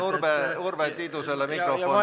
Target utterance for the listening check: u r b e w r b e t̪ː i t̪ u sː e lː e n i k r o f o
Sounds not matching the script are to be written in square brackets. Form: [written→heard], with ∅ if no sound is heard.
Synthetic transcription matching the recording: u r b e [w→u] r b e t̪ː i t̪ u [sː→s] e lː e [n→m] i k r o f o

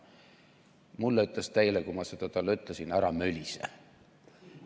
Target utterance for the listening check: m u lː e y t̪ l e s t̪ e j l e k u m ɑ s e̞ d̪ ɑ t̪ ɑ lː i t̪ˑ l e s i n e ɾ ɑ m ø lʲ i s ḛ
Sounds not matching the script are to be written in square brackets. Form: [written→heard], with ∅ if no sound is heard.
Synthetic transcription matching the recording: m u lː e y t̪ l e s t̪ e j l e k u m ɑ s e̞ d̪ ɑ t̪ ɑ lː [i→y] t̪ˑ l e s i n [e→æ] ɾ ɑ m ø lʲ i s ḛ

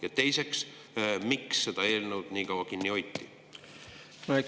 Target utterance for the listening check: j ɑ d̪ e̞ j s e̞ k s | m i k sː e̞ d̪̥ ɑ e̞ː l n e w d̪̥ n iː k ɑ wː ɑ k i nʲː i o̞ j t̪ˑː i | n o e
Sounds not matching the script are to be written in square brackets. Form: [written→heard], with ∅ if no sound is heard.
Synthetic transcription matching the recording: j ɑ [d̪→t̪] e̞ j s e̞ k s | m i k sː e̞ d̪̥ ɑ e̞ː l n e w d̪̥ n iː k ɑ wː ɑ k i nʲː i o̞ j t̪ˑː i | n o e

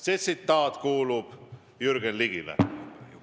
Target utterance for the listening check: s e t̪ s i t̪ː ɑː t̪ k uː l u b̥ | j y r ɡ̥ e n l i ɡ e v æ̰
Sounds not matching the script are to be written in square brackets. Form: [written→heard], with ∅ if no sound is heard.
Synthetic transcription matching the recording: s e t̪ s i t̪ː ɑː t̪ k uː l u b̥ | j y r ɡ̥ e n l i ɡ [e→i] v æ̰

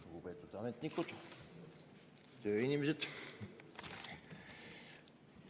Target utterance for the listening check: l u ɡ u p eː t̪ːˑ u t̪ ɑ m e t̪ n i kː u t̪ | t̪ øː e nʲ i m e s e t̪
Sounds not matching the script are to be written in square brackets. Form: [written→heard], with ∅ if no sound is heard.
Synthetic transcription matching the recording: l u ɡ u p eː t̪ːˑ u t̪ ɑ m e t̪ n i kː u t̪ | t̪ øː [e→i] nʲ i m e s e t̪

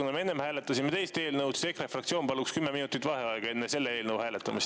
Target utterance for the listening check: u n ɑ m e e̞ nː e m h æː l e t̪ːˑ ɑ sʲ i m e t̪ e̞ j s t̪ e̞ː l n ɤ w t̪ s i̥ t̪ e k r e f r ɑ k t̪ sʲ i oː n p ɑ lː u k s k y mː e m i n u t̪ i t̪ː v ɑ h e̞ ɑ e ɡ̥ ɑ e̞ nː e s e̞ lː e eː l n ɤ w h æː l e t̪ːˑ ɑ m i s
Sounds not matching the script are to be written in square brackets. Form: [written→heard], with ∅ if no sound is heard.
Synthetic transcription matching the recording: u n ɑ m e e̞ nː e m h æː l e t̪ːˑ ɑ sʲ i m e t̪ e̞ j s t̪ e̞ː l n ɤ w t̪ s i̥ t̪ e k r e f r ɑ k t̪ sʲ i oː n p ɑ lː u k s k y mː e m i n u t̪ i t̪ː v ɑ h e̞ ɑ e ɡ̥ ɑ e̞ nː e s e̞ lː e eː l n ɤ w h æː l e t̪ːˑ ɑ m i s

